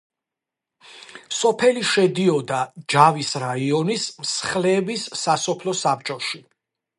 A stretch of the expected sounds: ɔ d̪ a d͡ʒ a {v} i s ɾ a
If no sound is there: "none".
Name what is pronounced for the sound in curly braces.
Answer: v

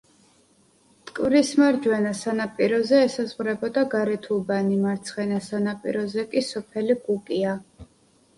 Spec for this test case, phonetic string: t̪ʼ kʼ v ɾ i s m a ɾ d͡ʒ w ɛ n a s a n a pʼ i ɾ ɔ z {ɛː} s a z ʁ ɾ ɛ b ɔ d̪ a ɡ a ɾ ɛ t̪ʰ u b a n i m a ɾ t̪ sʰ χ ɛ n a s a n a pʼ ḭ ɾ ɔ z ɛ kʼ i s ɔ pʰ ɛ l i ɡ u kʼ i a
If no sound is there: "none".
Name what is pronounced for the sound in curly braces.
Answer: ɛː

